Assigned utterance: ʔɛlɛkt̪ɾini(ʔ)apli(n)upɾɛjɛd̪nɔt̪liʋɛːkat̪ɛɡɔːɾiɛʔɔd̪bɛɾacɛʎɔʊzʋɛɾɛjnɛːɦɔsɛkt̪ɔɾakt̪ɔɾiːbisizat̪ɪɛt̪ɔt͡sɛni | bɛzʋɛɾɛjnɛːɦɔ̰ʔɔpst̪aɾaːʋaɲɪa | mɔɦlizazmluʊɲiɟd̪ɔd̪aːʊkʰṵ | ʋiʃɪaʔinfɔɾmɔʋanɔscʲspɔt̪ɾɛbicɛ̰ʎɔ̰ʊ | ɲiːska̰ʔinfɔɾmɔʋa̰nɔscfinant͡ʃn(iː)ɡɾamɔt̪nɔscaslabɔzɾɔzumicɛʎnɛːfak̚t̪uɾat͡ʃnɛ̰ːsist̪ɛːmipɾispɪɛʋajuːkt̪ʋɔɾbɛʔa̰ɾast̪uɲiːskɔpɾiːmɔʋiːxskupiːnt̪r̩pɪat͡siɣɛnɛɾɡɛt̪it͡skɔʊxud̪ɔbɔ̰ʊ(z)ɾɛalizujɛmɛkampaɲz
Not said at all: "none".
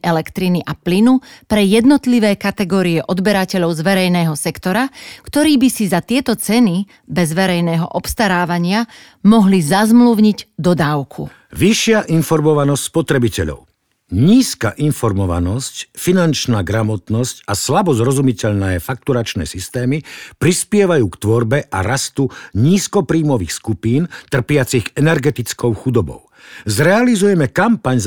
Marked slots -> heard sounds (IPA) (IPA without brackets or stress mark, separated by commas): ʔ, n, aː, z